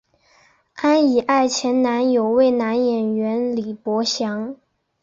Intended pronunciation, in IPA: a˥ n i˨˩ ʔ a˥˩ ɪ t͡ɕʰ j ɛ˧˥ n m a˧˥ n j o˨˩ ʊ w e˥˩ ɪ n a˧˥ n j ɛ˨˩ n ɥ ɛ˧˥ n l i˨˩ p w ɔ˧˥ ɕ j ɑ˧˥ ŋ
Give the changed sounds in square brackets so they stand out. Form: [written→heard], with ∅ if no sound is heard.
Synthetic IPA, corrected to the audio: a˥ n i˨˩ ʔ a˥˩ ɪ t͡ɕʰ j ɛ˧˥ n [m→n] a˧˥ n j o˨˩ ʊ w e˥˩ ɪ n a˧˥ n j ɛ˨˩ n ɥ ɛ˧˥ n l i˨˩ p w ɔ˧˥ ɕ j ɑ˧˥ ŋ